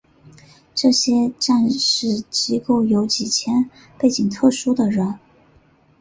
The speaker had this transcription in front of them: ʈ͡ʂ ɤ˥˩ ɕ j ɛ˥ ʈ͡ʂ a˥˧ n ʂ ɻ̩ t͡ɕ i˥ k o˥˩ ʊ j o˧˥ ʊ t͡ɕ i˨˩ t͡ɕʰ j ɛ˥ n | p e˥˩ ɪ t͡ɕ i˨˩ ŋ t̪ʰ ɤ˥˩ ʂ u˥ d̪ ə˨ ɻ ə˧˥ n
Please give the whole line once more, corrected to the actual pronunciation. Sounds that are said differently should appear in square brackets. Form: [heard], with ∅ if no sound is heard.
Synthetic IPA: ʈ͡ʂ ɤ˥˩ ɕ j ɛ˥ ʈ͡ʂ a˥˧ n ʂ ɻ̩ t͡ɕ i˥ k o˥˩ ʊ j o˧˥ ʊ t͡ɕ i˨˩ t͡ɕʰ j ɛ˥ n | p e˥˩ ɪ t͡ɕ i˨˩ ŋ t̪ʰ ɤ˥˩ ʂ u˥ d̪ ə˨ ɻ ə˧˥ n